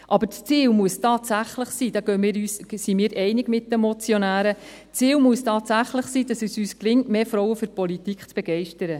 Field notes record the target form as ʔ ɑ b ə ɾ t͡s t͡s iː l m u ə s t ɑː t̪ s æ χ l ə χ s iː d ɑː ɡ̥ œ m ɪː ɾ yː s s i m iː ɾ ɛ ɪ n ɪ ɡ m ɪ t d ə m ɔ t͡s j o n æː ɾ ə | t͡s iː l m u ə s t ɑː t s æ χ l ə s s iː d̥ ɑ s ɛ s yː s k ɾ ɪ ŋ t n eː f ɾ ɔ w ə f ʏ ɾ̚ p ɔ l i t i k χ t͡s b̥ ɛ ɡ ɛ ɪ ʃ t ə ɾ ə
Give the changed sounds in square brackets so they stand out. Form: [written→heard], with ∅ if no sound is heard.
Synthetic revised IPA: ʔ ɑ b ə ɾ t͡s t͡s iː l m u ə s t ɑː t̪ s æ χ l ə χ s iː d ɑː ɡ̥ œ m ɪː ɾ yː s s i m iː ɾ ɛ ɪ n ɪ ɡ m ɪ t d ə m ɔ t͡s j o n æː ɾ ə | t͡s iː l m u ə s t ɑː t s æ χ l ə [s→χ] s iː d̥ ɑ s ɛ s yː s k [ɾ→l] ɪ ŋ t [n→m] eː f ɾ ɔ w ə f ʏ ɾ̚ p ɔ l i t i k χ t͡s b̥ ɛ ɡ ɛ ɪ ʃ t ə ɾ ə

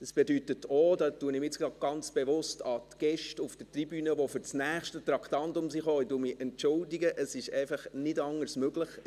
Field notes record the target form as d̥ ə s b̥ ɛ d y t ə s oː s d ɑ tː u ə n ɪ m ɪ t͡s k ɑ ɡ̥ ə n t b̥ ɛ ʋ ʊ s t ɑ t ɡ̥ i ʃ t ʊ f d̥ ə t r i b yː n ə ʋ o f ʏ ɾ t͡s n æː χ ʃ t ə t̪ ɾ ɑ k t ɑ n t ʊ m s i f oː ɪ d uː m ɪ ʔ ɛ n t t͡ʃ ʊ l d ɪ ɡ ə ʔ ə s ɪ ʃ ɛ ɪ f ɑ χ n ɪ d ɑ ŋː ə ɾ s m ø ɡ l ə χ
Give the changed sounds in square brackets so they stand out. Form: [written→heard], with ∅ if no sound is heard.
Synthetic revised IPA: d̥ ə s b̥ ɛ d y t ə [s→t] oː [s→∅] d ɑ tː u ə n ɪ m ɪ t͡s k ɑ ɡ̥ [ə→ɑ] n [t→t͡s] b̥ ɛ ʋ ʊ s t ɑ t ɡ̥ [i→ɛ] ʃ t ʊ f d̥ ə t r i b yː n ə ʋ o f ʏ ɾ t͡s n æː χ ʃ t ə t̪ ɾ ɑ k t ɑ n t ʊ m s i [f→χ] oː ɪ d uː m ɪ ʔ ɛ n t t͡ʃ ʊ l d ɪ ɡ ə ʔ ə s ɪ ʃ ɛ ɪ f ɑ χ n ɪ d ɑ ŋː ə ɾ s m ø ɡ l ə χ

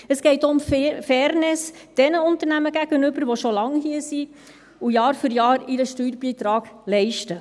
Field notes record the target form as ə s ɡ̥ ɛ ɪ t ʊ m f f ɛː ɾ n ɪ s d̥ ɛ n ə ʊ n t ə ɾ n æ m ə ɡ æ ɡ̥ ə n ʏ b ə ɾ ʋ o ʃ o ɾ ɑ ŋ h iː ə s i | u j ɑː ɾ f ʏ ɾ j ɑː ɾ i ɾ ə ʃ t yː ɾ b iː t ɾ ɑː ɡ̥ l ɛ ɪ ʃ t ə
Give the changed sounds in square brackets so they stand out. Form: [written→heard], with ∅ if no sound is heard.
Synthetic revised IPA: ə s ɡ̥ ɛ ɪ t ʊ m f f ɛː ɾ n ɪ s d̥ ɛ n ə ʊ n t ə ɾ n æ m ə ɡ æ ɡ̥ ə n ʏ b ə ɾ ʋ o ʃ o [ɾ→l] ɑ ŋ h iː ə s i | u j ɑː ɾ f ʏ ɾ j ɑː ɾ i ɾ ə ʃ t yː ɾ b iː t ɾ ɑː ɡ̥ l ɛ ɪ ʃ t ə

